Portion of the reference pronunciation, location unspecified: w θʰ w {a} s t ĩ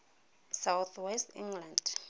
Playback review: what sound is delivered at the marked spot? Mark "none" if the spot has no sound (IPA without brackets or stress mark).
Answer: ɛ